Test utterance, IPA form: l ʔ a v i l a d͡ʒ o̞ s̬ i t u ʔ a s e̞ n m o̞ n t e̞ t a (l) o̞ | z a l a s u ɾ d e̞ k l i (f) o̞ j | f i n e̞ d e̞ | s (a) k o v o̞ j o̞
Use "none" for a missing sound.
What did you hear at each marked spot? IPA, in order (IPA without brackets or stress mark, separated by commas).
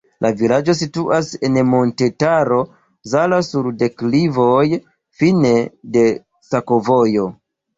ɾ, v, a